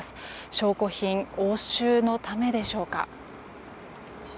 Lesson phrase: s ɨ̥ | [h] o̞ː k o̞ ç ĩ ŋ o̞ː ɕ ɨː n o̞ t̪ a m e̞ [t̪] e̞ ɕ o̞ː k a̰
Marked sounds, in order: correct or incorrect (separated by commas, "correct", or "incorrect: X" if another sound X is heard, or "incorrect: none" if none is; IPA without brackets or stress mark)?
incorrect: ɕ, incorrect: d̪